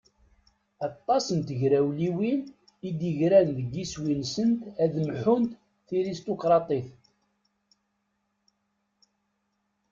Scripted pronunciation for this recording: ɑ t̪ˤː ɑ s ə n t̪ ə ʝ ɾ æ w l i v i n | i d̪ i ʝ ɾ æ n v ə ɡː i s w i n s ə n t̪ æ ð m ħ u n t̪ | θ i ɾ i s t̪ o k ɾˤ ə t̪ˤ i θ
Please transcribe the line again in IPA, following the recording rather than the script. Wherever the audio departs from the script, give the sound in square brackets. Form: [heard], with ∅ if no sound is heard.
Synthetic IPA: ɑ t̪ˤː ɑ s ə n t̪ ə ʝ ɾ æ w l i [w] i n | i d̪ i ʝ ɾ æ n [ð] ə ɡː i s w i n s ə n t̪ æ ð m ħ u n t̪ | θ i ɾ i s t̪ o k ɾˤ [ɑ] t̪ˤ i θ